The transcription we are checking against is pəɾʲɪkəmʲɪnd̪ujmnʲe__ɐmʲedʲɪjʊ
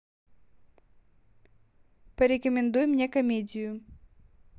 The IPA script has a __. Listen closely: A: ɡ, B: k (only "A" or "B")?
B